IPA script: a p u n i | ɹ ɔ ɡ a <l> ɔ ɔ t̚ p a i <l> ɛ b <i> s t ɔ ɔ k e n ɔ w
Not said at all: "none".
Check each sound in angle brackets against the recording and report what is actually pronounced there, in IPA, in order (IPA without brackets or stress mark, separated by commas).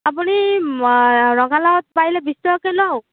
l, l, i